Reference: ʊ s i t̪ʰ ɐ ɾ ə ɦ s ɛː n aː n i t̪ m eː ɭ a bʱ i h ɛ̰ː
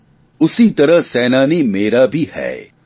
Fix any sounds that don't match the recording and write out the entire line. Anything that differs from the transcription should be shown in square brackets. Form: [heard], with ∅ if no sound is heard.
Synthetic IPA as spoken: ʊ s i [t̪] ɐ ɾ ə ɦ s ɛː n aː n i [∅] m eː [ɾ] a bʱ i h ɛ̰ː